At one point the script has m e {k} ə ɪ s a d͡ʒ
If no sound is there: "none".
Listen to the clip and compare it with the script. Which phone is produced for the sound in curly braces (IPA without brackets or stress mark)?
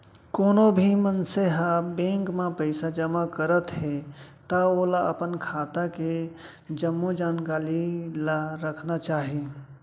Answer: p